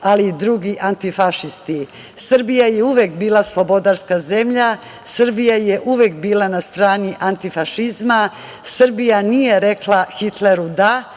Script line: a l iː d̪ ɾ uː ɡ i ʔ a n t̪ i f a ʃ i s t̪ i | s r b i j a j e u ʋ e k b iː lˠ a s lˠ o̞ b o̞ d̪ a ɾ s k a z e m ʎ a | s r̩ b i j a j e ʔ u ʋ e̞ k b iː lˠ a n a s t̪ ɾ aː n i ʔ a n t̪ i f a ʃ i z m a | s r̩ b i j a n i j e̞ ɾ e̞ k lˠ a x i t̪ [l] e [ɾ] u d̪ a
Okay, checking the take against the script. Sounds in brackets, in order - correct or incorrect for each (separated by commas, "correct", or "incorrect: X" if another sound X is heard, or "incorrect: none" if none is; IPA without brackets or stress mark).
correct, correct